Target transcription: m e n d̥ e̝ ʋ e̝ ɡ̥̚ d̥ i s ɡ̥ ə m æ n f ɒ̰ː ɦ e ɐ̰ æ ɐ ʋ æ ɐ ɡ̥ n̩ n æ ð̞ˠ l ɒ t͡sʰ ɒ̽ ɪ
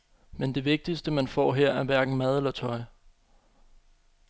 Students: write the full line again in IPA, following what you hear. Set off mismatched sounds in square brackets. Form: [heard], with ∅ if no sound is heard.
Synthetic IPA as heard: m e n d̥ e̝ ʋ e̝ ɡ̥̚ d̥ i s [d̥] ə m æ n f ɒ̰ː ɦ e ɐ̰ æ ɐ ʋ æ ɐ ɡ̥ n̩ [m] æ ð̞ˠ l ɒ t͡sʰ ɒ̽ ɪ